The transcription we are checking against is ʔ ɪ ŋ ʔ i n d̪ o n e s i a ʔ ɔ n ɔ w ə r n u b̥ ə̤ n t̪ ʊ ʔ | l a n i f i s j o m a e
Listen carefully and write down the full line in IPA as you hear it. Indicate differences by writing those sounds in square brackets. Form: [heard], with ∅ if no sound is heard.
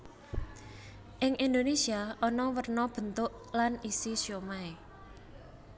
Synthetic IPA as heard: ʔ ɪ ŋ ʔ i n d̪ o n e s i a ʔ ɔ n ɔ w ə r n [ɔ] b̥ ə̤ n t̪ ʊ ʔ | l a n i [s] i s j o m a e